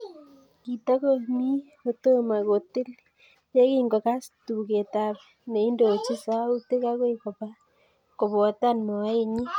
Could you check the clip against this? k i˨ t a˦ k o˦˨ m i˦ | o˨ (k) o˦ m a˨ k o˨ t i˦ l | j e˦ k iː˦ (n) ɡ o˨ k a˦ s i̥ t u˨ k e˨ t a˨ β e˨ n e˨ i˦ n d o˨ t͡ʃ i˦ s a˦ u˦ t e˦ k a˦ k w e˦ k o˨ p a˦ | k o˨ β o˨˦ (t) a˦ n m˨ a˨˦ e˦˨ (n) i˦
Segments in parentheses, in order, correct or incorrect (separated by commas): incorrect, incorrect, correct, incorrect